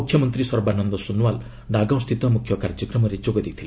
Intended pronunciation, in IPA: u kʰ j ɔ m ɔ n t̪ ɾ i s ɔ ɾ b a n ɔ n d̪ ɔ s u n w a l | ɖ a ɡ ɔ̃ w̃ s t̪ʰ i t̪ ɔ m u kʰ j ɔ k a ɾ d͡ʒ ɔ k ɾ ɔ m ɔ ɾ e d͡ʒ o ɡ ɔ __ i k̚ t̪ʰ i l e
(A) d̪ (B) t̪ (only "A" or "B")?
A